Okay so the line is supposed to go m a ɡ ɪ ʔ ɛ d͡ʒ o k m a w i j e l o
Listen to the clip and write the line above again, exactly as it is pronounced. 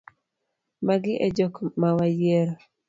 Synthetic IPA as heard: m a ɡ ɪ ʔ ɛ d͡ʒ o k m a w a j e ɾ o